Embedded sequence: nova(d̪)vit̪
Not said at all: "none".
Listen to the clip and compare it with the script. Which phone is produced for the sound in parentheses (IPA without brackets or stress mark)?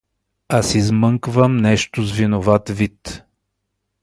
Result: t̪